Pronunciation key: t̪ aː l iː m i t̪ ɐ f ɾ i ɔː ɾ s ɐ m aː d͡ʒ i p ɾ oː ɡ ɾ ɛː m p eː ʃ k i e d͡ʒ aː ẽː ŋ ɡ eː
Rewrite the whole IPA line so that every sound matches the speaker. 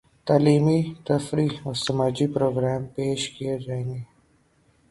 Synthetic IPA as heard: t̪ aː l iː m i t̪ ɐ f ɾ i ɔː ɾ s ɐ m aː d͡ʒ i p ɾ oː ɡ ɾ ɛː m p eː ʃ k i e d͡ʒ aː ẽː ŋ ɡ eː